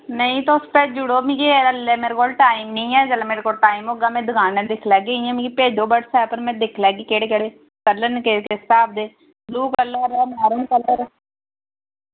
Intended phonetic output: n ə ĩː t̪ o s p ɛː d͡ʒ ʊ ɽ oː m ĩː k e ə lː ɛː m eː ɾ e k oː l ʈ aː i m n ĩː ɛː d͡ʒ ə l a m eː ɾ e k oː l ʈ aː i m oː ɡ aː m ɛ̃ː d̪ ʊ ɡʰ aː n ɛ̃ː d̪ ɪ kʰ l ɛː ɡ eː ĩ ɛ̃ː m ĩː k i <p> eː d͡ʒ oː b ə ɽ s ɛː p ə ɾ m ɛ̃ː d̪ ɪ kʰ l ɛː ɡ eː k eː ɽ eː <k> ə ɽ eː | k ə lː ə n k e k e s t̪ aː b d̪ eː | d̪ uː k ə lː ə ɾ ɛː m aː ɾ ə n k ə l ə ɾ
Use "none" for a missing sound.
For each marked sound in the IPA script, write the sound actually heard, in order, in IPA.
p, k

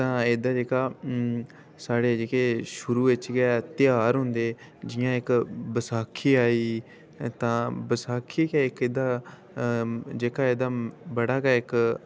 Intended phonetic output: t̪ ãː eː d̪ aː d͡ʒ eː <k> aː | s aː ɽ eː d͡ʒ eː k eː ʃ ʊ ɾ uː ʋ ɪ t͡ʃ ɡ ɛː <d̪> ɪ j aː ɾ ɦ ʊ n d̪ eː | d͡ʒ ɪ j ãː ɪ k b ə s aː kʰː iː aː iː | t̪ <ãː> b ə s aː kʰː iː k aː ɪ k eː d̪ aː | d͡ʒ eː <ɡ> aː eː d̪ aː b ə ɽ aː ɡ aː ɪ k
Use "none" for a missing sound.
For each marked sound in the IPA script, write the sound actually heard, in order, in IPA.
k, t̪, ãː, k

